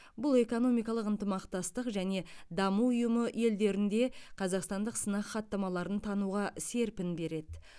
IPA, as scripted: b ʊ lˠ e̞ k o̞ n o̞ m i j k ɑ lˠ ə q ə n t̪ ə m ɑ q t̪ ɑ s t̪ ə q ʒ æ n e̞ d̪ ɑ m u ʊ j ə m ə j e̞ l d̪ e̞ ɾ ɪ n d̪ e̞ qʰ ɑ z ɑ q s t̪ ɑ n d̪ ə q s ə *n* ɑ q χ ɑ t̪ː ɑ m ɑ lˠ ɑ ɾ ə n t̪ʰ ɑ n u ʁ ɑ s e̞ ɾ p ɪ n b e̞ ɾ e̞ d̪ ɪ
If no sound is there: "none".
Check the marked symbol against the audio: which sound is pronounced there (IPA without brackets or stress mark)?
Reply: n